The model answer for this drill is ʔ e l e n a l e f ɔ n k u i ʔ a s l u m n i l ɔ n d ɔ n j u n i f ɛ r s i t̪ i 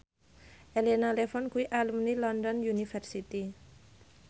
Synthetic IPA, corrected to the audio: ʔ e l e n a l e f ɔ n k u i ʔ a l u m n i l ɔ n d ɔ n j u n i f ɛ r s i t̪ i